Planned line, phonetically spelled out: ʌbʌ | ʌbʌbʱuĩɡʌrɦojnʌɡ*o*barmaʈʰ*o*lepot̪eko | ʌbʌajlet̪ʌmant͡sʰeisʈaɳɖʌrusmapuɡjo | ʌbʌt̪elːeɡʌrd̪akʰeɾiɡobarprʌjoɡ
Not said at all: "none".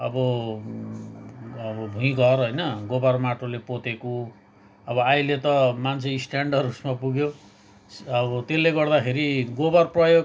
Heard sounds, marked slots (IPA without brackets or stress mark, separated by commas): o, o